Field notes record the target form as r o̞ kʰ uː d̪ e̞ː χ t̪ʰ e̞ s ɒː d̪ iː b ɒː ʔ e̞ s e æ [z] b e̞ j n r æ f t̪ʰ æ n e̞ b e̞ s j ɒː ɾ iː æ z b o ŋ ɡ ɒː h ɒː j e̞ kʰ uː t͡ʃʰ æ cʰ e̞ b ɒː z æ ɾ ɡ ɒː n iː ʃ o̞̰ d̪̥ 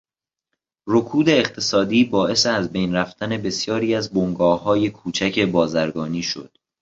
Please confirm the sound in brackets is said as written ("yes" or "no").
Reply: yes